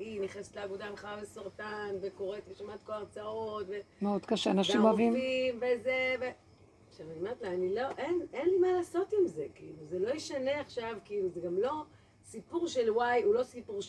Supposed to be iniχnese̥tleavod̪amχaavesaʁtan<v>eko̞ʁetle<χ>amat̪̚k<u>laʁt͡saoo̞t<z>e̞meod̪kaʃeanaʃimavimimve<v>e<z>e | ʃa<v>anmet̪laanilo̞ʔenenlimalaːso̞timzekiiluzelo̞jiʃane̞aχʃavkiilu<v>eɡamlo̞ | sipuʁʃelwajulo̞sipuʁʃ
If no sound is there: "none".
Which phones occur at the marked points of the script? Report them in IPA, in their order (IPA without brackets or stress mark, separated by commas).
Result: v, ʃ, o, v, z, v, v, z